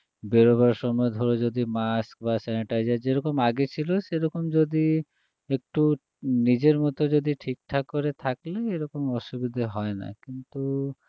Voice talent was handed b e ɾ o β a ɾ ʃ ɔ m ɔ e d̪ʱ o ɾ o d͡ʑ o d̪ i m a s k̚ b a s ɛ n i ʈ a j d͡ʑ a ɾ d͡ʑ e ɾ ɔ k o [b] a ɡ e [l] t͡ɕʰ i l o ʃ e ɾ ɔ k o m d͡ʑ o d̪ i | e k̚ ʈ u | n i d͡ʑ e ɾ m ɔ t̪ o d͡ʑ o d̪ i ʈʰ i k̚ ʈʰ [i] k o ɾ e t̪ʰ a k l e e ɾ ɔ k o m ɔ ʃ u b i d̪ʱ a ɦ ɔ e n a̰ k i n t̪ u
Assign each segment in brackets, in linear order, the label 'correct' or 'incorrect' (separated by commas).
incorrect, incorrect, incorrect